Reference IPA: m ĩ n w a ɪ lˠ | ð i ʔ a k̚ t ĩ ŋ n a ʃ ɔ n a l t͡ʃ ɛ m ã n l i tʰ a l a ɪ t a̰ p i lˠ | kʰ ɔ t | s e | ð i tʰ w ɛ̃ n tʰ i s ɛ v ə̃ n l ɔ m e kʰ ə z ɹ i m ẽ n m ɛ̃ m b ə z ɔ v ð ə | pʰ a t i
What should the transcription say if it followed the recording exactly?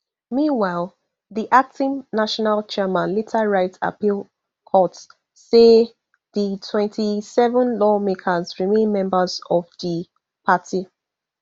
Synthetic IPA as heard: m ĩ n w a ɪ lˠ | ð i ʔ a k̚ t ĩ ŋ n a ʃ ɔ n a l t͡ʃ ɛ m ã n l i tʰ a ɹ a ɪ t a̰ p i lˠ | kʰ ɔ t | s e | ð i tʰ w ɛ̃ n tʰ i s ɛ v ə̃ n l ɔ m e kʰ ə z ɹ i m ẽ n m ɛ̃ m b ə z ɔ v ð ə | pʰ a t i